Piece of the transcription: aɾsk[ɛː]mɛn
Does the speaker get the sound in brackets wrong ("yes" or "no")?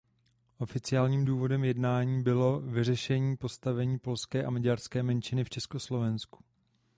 no